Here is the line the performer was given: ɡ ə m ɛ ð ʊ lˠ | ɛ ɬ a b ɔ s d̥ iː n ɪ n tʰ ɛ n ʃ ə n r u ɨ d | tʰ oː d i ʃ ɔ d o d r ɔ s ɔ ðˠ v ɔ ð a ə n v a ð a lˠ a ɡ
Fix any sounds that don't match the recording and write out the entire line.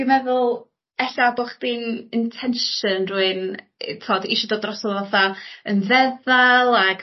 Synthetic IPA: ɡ ə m ɛ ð ʊ lˠ | ɛ ɬ a b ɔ χ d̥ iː n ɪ n tʰ ɛ n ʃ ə n r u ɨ n | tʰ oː d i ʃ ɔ d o d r ɔ s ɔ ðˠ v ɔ θ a ə n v ɛ ð a lˠ a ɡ